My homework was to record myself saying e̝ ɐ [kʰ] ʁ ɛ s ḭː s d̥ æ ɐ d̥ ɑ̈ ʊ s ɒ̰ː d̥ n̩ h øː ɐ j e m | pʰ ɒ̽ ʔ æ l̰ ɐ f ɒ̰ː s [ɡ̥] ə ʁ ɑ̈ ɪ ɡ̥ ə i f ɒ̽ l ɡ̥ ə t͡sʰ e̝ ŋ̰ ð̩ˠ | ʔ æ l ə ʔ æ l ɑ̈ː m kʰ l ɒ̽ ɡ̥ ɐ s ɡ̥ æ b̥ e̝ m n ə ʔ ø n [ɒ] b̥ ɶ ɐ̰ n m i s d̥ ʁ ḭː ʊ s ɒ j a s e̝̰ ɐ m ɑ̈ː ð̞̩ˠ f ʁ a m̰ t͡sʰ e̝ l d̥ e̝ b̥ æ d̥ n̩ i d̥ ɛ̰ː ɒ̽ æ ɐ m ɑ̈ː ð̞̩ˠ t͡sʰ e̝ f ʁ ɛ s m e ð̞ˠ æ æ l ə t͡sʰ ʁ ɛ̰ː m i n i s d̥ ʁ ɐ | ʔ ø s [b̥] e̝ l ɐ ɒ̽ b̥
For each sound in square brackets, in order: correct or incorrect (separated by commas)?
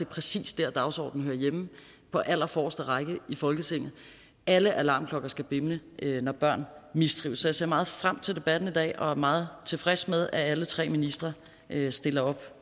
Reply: incorrect, incorrect, correct, incorrect